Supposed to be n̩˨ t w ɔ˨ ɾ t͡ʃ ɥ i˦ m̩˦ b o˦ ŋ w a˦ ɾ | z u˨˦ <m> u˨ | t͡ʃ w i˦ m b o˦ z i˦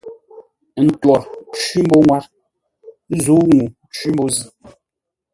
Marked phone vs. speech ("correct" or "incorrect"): incorrect